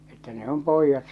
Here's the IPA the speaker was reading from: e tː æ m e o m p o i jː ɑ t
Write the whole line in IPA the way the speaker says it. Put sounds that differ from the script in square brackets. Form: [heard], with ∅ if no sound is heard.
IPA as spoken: e tː æ [n] e o m p o i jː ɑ t